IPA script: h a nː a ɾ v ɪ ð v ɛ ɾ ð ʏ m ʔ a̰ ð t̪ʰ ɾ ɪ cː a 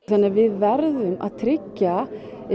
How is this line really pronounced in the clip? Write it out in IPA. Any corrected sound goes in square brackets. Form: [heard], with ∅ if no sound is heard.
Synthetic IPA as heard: [θ] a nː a ɾ v ɪ ð v ɛ ɾ ð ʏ m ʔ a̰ ð t̪ʰ ɾ ɪ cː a